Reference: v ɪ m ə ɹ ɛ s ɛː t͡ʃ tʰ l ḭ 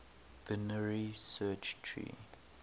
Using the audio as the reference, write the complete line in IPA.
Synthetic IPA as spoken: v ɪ n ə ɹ i s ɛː t͡ʃ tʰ ɹ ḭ